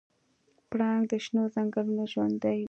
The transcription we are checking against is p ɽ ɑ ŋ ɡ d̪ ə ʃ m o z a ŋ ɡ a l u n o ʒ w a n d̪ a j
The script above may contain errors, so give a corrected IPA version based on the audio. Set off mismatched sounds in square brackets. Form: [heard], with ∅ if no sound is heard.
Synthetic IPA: p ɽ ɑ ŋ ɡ d̪ ə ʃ [n] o z a ŋ ɡ a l u n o ʒ w a n d̪ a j